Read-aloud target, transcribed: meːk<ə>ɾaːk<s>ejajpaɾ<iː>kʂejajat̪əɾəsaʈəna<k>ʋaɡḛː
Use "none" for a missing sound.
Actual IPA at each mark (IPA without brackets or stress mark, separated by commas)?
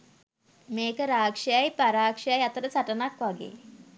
ə, ʂ, aː, k